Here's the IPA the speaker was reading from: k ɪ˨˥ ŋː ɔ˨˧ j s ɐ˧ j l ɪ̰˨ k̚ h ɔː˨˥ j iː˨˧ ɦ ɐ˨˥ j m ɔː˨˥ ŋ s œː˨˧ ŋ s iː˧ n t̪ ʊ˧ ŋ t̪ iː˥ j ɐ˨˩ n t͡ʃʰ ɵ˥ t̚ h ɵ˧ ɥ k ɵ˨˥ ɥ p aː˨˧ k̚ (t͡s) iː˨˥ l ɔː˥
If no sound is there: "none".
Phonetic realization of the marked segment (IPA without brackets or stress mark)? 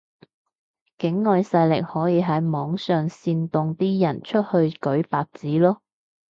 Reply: t͡s